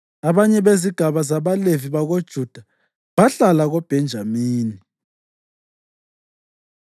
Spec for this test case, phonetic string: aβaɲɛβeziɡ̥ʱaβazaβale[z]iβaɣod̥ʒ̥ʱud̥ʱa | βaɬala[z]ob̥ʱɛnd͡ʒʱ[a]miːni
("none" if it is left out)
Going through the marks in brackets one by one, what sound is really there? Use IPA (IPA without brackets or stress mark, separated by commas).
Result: v, ɣ, a